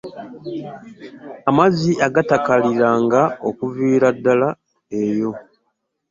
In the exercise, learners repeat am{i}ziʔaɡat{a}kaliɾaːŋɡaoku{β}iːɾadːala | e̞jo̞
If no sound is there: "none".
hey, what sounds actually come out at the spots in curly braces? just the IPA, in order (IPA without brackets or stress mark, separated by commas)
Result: a, a, v